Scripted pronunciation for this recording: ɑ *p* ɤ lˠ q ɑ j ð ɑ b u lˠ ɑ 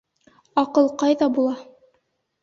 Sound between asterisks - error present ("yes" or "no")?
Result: yes